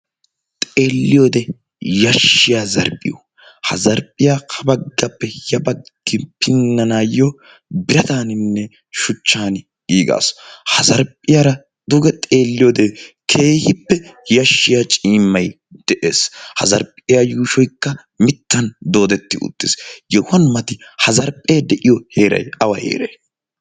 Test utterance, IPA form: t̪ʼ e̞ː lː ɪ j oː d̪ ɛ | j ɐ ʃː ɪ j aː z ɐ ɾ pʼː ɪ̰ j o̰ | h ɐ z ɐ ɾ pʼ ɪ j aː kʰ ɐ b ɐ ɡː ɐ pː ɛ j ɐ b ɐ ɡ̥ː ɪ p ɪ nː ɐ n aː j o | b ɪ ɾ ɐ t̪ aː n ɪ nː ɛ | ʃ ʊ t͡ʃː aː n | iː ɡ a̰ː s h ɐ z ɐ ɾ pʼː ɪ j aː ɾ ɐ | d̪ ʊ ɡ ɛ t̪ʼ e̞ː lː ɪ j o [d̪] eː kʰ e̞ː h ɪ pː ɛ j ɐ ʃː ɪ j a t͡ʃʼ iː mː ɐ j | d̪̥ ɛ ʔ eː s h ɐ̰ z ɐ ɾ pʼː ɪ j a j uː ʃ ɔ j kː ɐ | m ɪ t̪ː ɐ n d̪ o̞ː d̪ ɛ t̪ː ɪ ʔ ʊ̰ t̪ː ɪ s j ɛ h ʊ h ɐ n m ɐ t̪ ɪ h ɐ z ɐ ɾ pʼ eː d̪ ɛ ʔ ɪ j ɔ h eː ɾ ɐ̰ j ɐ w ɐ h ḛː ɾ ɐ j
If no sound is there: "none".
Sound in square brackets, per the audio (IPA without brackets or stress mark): d̪